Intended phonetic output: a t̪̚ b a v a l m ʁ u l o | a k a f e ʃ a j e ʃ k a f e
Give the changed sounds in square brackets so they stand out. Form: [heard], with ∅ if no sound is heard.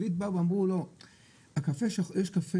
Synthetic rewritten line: [i] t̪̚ b a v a [∅] m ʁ u l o | a k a f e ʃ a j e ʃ k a f e